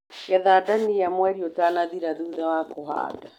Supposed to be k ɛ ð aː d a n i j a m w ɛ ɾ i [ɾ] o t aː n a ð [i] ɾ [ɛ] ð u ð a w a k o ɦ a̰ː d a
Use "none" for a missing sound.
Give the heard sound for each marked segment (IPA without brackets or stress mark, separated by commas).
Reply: none, i, a